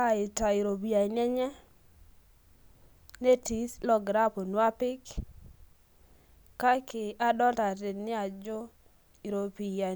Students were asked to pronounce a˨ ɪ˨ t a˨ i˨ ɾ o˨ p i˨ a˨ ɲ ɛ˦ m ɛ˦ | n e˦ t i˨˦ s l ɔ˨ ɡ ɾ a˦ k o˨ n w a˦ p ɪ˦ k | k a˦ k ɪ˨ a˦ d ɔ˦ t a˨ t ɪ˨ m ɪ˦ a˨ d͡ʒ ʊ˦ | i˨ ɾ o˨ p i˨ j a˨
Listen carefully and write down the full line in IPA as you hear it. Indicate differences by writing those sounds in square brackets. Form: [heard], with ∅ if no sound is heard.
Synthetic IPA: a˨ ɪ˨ t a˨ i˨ ɾ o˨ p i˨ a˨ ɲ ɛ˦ [ɲ] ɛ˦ | n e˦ t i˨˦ s l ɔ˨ ɡ ɾ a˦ [p] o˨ n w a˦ p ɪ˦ k | k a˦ k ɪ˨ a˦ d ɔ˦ t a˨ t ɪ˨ [n] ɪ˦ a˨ d͡ʒ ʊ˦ | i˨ ɾ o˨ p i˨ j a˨